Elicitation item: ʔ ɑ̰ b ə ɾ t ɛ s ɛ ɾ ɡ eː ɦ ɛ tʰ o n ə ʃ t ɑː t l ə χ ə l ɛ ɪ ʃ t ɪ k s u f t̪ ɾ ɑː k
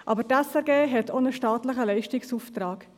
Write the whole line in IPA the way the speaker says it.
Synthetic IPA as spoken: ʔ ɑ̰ b ə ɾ t ɛ s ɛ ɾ ɡ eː ɦ ɛ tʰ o n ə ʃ t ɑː t l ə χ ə l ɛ ɪ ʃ t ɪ k s u f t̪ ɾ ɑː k